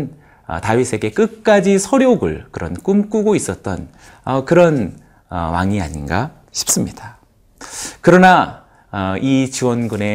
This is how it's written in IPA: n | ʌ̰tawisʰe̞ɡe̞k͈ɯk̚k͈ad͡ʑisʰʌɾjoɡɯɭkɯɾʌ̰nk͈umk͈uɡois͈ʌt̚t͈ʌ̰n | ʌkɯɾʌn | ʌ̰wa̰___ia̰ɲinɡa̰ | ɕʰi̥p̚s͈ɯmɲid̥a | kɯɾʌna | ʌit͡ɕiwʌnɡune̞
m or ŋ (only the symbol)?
ŋ